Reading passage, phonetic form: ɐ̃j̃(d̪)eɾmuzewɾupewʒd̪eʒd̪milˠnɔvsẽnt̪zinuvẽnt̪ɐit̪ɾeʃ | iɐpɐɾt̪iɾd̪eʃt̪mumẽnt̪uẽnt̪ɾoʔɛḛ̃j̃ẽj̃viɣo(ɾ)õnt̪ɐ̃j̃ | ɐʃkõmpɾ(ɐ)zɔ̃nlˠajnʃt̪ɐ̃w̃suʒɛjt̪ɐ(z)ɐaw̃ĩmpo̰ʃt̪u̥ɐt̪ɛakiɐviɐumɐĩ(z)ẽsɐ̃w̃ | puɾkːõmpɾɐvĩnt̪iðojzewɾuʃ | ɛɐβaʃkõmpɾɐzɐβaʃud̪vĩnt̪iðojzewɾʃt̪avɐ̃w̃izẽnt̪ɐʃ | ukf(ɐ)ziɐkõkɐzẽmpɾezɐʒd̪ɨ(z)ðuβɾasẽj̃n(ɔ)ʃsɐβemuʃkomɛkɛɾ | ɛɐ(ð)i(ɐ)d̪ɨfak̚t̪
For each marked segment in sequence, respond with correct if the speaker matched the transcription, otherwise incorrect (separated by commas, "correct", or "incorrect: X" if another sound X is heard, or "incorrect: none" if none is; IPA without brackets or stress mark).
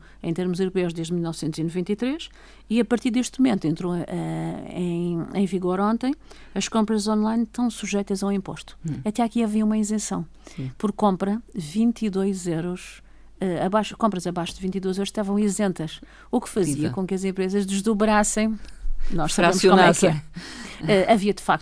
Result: incorrect: t̪, correct, correct, correct, correct, correct, incorrect: ʒ, correct, incorrect: v, correct